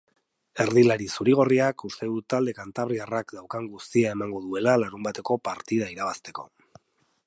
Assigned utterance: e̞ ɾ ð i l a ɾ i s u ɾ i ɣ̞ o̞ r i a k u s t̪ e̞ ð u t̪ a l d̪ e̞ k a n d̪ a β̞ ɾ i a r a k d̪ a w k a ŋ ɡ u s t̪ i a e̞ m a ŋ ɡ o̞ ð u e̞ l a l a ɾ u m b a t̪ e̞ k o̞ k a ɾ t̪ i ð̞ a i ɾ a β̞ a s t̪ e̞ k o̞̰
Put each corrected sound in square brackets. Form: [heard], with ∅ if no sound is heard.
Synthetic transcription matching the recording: e̞ ɾ ð i l a ɾ i s u ɾ i ɣ̞ o̞ r i a k u s t̪ e̞ ð u t̪ a l d̪ e̞ k a n [t̪] a β̞ ɾ i a r a k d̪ a w k a ŋ ɡ u s t̪ i a e̞ m a ŋ ɡ o̞ ð u e̞ l a l a ɾ u m b a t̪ e̞ k o̞ [p] a ɾ t̪ i ð̞ a i ɾ a β̞ a s t̪ e̞ k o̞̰